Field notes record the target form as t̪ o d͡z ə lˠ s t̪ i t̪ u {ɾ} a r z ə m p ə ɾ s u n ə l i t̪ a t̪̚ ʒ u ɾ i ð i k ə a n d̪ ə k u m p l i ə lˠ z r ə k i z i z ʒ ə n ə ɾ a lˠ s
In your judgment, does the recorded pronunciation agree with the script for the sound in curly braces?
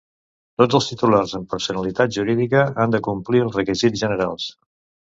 no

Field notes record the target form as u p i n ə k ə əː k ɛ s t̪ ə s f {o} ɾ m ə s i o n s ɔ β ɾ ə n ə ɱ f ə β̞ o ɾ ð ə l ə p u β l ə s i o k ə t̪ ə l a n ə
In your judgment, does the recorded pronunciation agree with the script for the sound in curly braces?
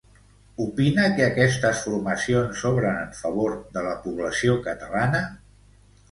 no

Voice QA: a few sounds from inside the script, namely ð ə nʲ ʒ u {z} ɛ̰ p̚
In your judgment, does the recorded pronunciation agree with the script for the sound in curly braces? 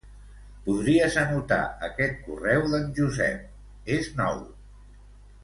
yes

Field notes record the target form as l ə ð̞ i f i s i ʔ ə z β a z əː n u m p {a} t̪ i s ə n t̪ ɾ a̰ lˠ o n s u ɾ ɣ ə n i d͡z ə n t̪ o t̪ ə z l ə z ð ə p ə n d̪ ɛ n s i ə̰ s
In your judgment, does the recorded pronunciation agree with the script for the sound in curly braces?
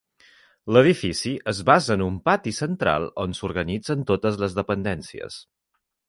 yes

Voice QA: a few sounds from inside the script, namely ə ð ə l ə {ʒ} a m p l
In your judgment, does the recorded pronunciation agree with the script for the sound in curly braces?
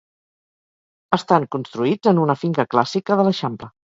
no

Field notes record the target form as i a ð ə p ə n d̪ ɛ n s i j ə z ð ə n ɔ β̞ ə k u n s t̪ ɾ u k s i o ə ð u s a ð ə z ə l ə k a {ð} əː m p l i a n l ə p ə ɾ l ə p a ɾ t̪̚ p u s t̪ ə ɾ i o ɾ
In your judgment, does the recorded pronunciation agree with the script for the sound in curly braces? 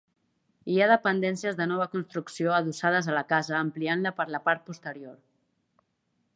no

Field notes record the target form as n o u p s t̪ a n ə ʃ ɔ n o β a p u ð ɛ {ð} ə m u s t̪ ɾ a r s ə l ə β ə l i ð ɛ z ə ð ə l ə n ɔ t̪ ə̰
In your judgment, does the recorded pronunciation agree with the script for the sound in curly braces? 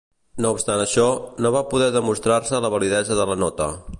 yes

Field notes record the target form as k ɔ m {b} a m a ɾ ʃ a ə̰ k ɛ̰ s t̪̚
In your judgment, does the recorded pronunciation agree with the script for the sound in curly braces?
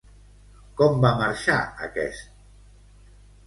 yes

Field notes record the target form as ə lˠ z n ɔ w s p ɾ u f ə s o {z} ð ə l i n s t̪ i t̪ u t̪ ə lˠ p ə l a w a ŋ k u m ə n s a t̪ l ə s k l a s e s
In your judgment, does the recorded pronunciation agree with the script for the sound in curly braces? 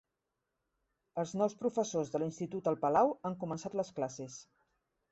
yes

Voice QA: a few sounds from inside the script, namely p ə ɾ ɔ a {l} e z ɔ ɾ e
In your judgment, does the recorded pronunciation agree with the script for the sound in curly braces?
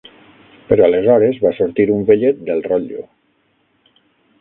yes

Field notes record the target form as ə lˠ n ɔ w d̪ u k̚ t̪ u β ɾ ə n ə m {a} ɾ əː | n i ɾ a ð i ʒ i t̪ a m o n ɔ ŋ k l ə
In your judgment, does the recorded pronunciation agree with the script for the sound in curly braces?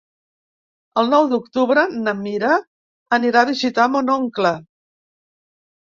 no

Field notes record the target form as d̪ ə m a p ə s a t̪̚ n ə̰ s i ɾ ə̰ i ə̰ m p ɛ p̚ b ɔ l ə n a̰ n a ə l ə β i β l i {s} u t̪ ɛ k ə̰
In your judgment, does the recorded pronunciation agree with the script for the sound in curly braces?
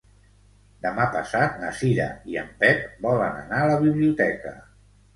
no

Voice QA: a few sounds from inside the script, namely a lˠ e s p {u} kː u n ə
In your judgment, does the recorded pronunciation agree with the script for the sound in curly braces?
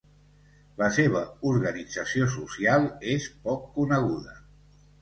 no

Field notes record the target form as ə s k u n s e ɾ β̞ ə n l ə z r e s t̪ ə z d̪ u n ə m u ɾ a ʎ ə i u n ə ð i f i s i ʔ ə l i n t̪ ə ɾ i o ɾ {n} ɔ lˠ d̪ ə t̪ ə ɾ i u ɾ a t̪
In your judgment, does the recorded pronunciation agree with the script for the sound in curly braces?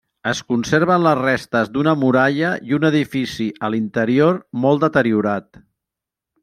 no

